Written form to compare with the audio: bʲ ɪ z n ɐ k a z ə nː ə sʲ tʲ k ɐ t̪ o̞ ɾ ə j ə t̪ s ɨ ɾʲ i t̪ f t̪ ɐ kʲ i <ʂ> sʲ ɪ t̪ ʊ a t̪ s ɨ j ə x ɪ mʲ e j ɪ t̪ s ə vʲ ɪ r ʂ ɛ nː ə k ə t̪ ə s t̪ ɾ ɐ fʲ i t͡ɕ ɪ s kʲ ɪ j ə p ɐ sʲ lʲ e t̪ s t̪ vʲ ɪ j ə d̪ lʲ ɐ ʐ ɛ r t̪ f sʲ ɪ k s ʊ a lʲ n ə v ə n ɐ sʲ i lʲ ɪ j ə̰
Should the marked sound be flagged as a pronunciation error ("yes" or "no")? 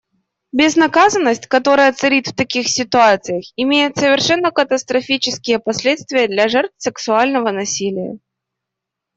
yes